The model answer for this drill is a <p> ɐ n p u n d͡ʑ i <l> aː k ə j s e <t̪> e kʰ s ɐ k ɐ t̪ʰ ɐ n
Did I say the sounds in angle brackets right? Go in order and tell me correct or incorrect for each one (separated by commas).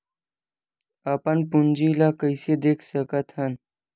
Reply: correct, correct, incorrect